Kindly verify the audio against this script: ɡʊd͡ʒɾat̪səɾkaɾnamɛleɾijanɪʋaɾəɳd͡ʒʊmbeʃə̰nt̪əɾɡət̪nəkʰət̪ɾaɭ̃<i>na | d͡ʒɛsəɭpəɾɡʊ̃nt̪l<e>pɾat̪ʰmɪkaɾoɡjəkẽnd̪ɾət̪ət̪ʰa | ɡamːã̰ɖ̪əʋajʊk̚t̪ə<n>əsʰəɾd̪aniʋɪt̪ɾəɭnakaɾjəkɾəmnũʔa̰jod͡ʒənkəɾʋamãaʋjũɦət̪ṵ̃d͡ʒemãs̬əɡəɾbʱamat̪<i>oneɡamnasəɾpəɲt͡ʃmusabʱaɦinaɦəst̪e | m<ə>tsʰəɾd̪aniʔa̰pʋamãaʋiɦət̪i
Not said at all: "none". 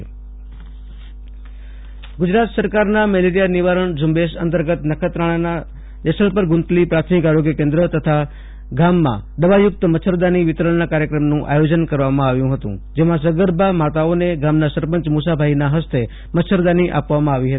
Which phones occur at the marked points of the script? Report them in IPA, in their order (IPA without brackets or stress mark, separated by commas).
a, i, m, a, ə